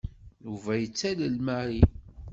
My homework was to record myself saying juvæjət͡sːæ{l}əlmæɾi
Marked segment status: correct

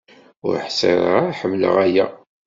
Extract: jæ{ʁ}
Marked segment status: incorrect: none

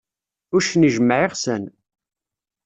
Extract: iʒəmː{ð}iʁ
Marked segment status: incorrect: ʕ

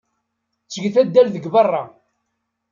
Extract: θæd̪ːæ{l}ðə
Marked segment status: correct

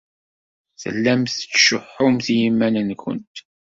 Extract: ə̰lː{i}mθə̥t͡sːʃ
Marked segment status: incorrect: æ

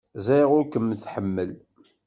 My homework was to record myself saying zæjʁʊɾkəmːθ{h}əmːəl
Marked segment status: incorrect: ħ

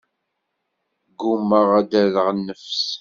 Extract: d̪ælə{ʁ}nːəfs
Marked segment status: correct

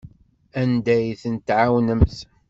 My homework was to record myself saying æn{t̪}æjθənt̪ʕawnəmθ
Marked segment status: incorrect: d̪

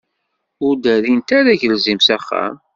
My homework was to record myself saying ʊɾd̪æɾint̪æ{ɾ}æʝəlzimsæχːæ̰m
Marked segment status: correct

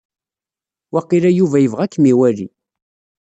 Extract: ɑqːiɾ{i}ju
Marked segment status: incorrect: æ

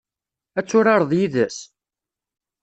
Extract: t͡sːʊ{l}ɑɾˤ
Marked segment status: incorrect: ɾ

